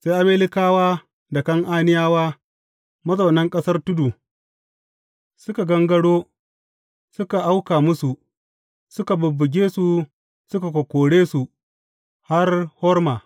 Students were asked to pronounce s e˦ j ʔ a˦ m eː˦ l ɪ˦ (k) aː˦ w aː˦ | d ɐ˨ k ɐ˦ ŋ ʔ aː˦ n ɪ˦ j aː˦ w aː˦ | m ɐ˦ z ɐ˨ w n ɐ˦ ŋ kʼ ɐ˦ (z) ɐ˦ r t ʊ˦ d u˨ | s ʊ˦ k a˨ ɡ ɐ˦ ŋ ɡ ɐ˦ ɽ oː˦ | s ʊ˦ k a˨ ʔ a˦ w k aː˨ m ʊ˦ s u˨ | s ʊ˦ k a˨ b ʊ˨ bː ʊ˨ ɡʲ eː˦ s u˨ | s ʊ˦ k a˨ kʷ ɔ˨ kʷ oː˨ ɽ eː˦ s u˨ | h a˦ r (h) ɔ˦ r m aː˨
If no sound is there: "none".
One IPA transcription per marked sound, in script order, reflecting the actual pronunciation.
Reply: k, s, h

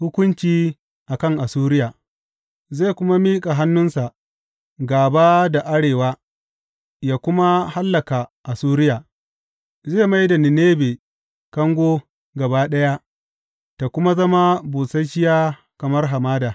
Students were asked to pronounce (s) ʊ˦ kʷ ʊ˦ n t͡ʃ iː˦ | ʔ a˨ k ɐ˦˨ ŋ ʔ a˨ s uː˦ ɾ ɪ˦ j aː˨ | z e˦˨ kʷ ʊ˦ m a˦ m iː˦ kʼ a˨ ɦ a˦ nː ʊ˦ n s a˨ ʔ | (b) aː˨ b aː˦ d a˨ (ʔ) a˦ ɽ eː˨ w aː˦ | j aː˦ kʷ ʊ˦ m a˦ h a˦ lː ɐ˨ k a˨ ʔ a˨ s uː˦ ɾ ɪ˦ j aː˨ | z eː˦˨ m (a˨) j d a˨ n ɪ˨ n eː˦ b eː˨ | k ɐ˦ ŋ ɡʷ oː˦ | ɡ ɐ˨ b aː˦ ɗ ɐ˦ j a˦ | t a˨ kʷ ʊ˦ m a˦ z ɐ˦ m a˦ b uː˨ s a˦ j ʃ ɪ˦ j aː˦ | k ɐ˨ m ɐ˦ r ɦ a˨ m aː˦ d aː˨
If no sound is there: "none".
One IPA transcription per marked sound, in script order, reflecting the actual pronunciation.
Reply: h, ɡ, ʔ, a˦

